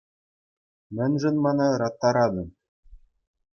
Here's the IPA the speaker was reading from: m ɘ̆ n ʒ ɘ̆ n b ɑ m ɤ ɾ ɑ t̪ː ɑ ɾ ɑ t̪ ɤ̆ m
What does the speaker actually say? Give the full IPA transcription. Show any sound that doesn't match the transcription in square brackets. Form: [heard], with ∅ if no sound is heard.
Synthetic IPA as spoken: m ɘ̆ n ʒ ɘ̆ n [m] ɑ [n] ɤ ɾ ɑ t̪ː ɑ ɾ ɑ [d̪] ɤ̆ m